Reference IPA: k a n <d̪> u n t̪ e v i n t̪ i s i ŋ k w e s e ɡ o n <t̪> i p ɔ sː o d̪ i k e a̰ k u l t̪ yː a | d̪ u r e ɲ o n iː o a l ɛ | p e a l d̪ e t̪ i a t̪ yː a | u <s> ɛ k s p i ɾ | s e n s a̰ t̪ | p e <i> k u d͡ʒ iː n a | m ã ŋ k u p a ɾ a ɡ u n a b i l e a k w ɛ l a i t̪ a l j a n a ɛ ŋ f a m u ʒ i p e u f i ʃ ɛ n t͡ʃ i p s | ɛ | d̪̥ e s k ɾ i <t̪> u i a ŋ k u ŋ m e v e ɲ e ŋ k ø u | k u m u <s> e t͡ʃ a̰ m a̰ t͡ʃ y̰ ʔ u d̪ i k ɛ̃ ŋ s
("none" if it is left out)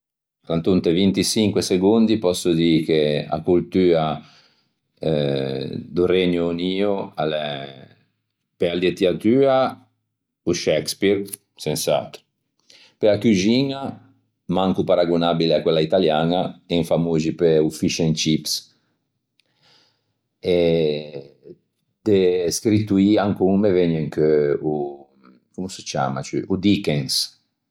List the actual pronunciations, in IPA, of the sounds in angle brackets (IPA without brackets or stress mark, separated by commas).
t̪, d̪, ʃ, a, t̪, s